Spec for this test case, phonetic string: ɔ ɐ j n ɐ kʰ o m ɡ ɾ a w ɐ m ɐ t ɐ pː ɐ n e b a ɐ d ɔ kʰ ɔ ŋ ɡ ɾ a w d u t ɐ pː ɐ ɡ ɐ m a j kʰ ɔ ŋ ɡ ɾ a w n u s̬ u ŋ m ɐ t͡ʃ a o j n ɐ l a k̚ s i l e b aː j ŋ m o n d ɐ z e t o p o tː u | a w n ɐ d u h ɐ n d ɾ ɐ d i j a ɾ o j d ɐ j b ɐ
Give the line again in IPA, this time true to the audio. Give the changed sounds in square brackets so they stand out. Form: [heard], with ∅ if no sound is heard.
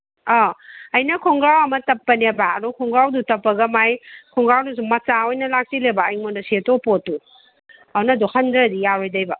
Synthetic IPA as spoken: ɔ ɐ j n ɐ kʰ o [ŋ] ɡ ɾ a w ɐ m ɐ t ɐ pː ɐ n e b a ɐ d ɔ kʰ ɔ ŋ ɡ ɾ a w d u t ɐ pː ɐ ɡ ɐ m a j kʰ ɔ ŋ ɡ ɾ a w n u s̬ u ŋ m ɐ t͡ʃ a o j n ɐ l a k̚ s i l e b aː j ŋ m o n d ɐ [s] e t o p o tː u | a w n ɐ d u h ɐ n d ɾ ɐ d i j a ɾ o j d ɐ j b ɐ